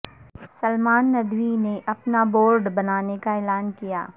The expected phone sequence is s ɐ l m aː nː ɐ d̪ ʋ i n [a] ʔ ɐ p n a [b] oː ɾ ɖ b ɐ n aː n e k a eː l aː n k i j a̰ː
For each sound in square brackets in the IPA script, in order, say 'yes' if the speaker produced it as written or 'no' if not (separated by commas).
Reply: no, yes